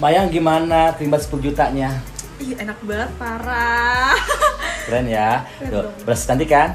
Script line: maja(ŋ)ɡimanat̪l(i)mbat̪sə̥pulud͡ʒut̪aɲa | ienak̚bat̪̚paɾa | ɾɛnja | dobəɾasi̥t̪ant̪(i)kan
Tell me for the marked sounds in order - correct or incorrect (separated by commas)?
correct, correct, correct